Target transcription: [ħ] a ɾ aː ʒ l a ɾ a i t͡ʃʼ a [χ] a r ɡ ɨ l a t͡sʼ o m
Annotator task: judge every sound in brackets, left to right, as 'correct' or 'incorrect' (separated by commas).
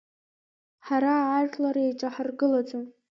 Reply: correct, incorrect